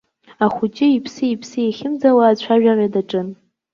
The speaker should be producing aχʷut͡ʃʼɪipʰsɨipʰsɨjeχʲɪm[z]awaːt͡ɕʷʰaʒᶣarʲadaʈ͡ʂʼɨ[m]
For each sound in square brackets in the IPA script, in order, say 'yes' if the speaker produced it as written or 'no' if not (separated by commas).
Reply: no, no